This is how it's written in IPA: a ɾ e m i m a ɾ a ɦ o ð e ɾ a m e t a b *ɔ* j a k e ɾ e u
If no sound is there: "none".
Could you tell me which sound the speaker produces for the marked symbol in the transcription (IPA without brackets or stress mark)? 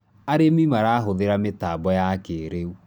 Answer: ɔ